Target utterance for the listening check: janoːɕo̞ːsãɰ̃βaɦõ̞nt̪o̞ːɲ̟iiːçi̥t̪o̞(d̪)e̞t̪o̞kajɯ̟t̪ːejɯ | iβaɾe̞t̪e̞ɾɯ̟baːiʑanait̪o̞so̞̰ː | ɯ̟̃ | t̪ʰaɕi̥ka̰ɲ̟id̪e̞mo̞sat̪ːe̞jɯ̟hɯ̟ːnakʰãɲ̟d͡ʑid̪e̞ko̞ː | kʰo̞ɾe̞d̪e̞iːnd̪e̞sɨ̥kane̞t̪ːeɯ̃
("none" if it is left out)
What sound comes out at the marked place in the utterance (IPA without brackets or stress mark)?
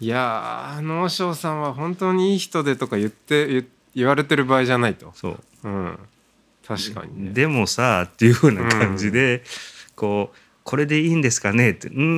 d̪